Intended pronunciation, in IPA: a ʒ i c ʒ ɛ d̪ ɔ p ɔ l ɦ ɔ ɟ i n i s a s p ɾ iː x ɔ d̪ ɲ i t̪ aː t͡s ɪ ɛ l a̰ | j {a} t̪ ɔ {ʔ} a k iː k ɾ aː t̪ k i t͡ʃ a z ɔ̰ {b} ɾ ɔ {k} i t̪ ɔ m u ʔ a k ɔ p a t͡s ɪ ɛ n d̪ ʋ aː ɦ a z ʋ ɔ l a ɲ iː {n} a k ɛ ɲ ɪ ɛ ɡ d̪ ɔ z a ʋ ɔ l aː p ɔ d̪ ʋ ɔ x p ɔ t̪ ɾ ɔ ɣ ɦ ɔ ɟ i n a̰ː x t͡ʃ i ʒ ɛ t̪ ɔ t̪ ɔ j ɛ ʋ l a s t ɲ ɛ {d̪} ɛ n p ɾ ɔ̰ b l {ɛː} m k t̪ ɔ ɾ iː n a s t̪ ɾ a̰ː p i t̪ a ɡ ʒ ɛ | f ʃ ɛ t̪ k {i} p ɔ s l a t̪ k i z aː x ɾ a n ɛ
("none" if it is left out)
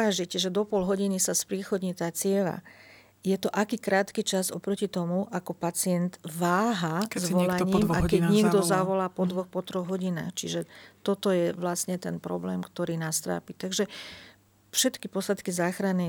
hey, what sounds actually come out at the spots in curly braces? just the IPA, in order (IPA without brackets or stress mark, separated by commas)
ɛ, ʔ, p, c, m, t̪, ɛː, i